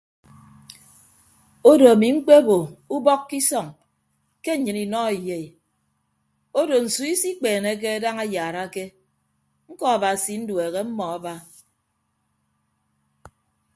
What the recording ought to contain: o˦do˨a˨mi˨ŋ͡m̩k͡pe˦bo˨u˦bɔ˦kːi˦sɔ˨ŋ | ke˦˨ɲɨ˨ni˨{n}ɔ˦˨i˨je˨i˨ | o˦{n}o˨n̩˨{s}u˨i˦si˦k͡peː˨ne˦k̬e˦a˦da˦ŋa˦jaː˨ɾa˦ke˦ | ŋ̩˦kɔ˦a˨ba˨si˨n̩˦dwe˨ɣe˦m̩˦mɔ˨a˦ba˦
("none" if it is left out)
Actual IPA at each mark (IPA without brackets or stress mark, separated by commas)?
n, d, s